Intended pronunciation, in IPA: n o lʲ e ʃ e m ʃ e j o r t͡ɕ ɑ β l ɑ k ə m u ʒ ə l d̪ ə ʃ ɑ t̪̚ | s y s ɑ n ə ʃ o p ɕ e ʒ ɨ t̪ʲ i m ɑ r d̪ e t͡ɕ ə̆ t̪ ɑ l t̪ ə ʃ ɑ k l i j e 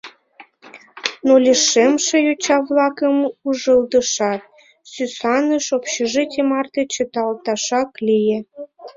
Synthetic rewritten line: n o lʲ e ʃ e m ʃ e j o t͡ɕ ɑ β l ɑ k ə m u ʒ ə l d̪ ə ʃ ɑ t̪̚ | s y s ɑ n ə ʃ o p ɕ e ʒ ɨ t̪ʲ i m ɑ r t̪ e t͡ɕ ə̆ t̪ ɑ l t̪ ɑ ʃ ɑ k l i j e